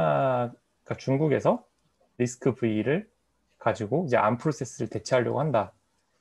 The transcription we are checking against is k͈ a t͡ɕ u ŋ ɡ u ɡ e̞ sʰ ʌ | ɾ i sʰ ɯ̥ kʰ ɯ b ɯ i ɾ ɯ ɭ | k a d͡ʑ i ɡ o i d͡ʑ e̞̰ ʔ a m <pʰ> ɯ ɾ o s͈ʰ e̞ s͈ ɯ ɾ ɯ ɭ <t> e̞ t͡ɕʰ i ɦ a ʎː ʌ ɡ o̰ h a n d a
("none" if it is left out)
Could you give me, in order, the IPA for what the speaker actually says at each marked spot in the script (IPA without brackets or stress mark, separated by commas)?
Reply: pʰ, t